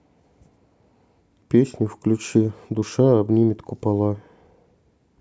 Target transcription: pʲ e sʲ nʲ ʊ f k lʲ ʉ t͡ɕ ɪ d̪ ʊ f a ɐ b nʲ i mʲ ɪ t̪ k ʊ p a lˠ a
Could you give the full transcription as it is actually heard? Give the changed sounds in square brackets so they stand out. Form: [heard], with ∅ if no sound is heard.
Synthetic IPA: pʲ e sʲ nʲ ʊ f k lʲ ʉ t͡ɕ [i] d̪ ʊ [ʂ] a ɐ b nʲ i mʲ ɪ t̪ k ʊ p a lˠ a